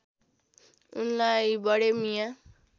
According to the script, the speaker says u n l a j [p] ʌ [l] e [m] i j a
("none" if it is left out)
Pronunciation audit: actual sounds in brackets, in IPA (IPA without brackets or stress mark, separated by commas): b, ɽ, m